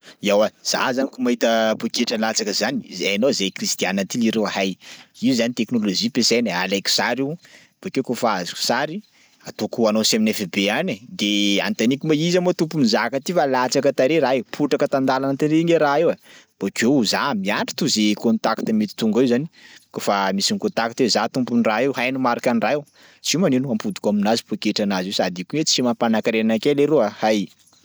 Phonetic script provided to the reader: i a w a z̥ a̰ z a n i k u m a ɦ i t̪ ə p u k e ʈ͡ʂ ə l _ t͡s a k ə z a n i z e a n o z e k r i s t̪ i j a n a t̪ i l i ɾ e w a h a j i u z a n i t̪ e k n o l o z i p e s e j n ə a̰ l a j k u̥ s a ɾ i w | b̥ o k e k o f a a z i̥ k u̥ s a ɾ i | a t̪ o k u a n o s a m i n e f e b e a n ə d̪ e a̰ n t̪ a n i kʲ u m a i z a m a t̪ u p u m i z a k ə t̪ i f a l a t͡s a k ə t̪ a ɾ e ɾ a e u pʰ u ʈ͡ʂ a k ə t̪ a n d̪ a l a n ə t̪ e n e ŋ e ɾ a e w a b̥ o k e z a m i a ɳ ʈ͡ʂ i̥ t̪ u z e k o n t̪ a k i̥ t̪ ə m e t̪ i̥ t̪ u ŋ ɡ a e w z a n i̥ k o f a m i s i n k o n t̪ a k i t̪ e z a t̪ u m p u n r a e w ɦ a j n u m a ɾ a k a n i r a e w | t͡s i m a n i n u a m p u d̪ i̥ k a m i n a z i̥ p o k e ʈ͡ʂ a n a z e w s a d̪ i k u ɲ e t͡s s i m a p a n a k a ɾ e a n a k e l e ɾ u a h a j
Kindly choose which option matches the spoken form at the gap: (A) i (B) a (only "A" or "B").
B